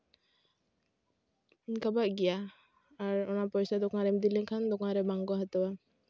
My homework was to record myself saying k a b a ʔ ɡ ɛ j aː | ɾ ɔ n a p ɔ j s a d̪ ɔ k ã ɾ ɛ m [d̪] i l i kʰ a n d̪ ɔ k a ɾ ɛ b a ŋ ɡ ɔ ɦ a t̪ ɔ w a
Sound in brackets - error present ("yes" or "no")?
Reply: no